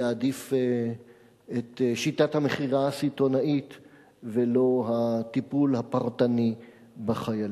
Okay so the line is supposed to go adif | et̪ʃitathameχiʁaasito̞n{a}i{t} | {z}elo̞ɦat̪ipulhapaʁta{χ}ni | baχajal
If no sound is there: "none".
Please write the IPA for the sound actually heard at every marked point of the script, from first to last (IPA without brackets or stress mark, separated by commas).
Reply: a, t, v, none